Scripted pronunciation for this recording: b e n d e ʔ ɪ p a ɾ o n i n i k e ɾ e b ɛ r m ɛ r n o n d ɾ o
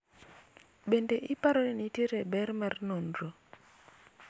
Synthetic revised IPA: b e n d e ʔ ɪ p a ɾ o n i n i t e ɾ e b ɛ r m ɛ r n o n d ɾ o